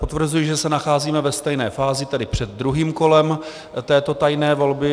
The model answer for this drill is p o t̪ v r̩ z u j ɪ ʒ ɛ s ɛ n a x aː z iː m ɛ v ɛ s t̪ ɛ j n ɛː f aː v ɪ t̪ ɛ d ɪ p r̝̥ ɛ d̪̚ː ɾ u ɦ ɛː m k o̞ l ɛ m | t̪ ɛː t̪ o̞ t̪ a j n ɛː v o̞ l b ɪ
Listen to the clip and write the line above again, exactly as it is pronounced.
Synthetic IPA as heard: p o t̪ v r̩ z u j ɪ ʒ ɛ s ɛ n a x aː z iː m ɛ v ɛ s t̪ ɛ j n ɛː f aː z ɪ t̪ ɛ d ɪ p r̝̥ ɛ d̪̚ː ɾ u ɦ iː m k o̞ l ɛ m | t̪ ɛː t̪ o̞ t̪ a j n ɛː v o̞ l b ɪ